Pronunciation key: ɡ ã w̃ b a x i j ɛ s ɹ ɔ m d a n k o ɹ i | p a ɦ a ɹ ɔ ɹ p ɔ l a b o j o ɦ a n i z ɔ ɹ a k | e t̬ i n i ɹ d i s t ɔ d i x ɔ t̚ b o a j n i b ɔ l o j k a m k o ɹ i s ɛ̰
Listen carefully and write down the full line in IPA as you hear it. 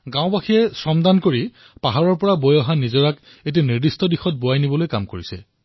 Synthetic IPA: ɡ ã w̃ b a x i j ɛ s ɹ ɔ m d a n k o ɹ i | p a ɦ a ɹ ɔ ɹ p ɔ ɹ a b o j ɔ ɦ a n i z ɔ ɹ a k | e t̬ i n i ɹ d i s t ɔ d i x ɔ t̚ b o a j n i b ɔ l o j k a m k o ɹ i s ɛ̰